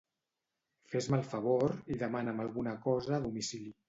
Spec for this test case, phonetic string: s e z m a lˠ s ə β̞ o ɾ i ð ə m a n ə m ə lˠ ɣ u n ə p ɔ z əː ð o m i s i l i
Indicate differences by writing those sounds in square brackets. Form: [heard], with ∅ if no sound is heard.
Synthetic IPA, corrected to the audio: [f] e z m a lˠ [f] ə β̞ o ɾ i ð ə m a n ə m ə lˠ ɣ u n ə [k] ɔ z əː ð [u] m i s i l i